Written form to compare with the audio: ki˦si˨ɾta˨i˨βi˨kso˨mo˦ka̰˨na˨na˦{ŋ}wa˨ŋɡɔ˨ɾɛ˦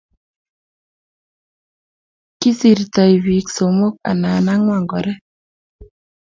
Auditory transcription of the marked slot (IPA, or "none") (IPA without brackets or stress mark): ŋ